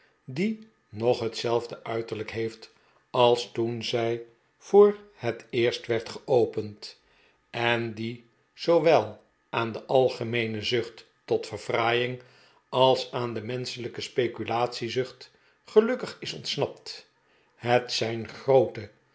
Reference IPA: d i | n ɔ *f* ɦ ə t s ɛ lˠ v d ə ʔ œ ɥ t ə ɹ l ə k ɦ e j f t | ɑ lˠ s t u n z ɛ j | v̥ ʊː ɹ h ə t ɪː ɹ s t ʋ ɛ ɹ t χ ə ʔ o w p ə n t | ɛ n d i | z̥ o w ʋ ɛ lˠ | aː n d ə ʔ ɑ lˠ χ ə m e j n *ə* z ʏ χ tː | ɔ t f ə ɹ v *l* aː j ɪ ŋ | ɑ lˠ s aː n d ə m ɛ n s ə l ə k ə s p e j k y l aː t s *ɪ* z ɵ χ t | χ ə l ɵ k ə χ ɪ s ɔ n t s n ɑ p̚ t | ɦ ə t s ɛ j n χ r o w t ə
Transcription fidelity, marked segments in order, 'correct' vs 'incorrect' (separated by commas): incorrect, correct, incorrect, incorrect